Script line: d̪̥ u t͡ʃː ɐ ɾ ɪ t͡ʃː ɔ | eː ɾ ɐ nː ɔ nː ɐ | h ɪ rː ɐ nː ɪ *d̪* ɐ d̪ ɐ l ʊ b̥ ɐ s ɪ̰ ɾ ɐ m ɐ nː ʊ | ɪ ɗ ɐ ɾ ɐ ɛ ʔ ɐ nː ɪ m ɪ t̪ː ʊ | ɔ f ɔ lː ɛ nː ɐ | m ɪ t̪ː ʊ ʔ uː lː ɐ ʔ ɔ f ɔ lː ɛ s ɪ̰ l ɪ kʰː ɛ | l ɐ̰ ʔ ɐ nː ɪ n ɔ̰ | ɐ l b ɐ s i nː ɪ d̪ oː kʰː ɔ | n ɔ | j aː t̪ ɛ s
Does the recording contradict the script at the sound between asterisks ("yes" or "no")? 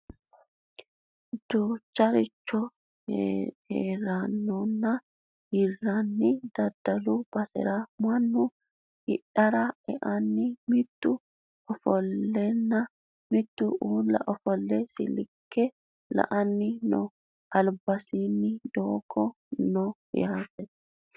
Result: no